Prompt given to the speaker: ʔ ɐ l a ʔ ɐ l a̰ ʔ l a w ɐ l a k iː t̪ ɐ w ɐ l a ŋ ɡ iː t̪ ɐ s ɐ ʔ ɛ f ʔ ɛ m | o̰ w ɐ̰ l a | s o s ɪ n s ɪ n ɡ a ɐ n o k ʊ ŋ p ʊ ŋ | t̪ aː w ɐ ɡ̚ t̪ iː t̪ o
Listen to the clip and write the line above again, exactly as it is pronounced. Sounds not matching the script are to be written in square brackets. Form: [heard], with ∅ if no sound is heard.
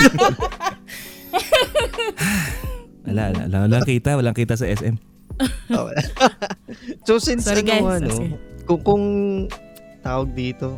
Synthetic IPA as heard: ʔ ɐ l a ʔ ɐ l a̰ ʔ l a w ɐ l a k iː t̪ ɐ w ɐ l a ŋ [k] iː t̪ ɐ s ɐ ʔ ɛ [s] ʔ ɛ m | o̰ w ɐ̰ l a | s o s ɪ n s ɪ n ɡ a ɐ n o k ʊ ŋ [k] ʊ ŋ | t̪ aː w ɐ ɡ̚ [d̪] iː t̪ o